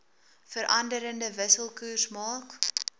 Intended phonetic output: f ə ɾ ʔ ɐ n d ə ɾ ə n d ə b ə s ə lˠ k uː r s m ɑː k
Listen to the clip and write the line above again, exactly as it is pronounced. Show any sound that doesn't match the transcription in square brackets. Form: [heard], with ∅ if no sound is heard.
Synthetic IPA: f ə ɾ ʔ ɐ n d ə ɾ ə n d ə [v] ə s ə lˠ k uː r s m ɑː k